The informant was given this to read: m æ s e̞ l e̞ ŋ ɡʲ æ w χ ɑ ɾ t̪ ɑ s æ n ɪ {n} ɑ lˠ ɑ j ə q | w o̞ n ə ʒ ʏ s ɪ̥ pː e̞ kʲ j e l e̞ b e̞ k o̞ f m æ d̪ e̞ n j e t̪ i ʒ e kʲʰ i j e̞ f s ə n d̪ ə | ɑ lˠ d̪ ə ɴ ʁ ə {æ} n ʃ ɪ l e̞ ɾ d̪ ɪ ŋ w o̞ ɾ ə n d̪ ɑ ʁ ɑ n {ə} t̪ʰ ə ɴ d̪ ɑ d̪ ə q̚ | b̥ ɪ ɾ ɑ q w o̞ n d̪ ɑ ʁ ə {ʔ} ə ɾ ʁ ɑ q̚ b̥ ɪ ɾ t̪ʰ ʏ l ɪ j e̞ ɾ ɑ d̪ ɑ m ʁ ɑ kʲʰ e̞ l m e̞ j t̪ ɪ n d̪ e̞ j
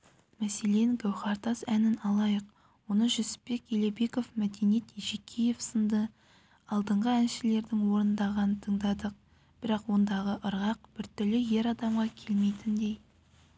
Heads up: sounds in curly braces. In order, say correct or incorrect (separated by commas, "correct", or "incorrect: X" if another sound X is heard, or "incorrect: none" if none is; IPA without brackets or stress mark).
correct, correct, correct, correct